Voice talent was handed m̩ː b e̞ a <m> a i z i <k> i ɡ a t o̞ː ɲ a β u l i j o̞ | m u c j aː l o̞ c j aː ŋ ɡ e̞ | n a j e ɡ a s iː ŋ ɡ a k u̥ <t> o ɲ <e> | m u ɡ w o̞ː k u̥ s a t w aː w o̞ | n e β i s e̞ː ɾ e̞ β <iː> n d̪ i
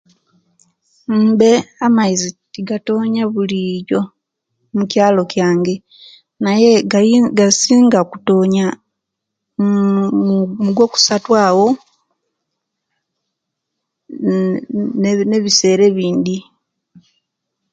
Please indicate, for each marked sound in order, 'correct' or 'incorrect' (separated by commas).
correct, incorrect, correct, incorrect, correct